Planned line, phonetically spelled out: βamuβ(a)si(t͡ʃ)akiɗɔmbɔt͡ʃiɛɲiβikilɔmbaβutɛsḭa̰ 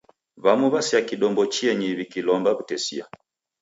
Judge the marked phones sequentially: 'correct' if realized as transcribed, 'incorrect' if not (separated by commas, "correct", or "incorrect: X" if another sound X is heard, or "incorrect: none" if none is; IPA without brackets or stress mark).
correct, incorrect: none